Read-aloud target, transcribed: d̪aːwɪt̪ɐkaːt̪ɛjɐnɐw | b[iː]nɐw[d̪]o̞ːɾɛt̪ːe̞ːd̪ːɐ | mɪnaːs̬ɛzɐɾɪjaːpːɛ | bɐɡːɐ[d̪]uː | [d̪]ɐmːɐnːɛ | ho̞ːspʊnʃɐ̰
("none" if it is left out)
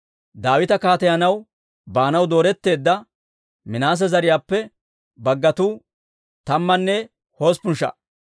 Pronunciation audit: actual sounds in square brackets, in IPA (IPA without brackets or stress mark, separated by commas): aː, d̪, t̪, t̪